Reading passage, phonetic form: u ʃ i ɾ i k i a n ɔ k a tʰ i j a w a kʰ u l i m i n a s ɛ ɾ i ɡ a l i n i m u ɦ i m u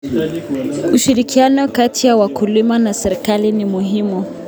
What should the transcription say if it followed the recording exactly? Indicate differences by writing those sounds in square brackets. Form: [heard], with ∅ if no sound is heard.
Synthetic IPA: u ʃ i ɾ i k i a n ɔ k a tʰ i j a w a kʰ u l i m [a] n a s ɛ ɾ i [k] a l i n i m u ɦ i m u